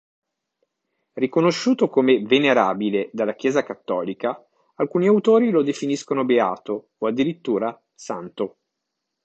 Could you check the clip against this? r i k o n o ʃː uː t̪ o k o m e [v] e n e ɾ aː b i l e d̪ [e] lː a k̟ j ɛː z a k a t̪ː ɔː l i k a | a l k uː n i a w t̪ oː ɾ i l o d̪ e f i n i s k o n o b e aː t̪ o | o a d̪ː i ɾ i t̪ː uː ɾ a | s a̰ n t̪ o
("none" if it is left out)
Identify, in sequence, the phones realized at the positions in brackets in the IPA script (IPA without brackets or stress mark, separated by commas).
v, a